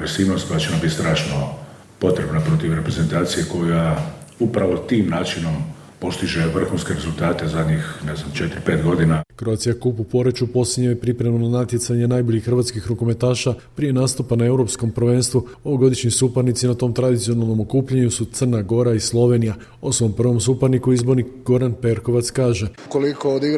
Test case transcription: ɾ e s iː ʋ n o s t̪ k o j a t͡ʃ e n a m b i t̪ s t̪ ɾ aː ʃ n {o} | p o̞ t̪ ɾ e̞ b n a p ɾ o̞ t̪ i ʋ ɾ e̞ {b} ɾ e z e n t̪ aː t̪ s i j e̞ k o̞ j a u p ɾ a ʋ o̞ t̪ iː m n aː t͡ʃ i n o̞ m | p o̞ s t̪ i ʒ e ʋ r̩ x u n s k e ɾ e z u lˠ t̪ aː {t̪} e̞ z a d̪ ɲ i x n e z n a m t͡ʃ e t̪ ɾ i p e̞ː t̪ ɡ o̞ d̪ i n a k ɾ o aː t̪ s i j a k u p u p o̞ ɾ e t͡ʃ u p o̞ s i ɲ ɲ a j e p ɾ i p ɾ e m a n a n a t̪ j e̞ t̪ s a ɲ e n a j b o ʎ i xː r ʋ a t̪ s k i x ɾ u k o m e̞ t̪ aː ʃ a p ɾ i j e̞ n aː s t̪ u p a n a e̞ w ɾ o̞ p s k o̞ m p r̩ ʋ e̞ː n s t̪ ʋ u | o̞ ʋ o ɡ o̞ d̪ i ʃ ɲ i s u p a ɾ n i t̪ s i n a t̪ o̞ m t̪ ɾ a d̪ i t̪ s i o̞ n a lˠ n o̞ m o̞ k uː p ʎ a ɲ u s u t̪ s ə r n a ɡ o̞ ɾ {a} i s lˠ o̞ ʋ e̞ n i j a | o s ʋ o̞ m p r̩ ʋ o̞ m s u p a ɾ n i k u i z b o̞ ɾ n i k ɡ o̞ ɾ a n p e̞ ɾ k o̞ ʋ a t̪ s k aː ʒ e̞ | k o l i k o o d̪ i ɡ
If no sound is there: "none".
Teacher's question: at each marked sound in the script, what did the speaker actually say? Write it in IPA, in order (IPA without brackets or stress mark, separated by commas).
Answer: o, p, t̪, a